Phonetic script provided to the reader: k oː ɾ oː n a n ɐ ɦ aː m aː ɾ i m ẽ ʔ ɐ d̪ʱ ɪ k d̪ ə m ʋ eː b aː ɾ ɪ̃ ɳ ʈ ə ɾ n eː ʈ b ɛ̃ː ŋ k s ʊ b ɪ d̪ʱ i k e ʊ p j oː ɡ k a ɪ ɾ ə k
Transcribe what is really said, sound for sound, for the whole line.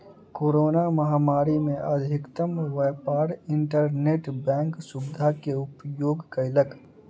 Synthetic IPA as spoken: k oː ɾ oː n a m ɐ ɦ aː m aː ɾ i m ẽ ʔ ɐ d̪ʱ ɪ k t̪ ə m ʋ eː p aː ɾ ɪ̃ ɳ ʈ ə ɾ n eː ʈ b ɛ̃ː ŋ k s ʊ b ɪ d̪ʱ a k e ʊ p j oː ɡ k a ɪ l ə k